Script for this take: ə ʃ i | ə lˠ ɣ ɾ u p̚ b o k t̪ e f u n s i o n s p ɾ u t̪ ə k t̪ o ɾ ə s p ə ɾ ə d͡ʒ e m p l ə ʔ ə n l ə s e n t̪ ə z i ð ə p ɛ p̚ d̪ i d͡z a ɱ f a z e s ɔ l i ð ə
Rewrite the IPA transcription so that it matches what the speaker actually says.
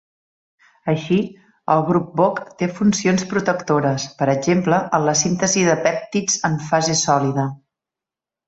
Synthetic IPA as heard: ə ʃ i | ə lˠ ɣ ɾ u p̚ b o k t̪ e f u n s i o n s p ɾ u t̪ ə k t̪ o ɾ ə s p ə ɾ ə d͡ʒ e m p l ə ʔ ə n l ə s i n t̪ ə z i ð ə p ɛ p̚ t̪ i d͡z ə ɱ f a z e s ɔ l i ð ə